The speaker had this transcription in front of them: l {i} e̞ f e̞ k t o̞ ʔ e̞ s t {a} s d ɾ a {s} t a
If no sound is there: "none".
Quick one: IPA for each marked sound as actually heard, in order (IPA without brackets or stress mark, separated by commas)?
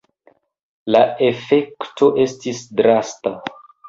a, i, s